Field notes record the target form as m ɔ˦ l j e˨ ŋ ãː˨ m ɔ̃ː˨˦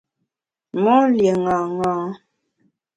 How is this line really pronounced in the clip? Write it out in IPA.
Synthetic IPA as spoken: m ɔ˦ l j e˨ ŋ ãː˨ ŋ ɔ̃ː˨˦